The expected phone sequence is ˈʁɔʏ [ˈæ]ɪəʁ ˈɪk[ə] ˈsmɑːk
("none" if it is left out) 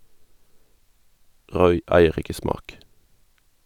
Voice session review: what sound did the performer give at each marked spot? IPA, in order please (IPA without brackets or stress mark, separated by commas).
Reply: æ, ə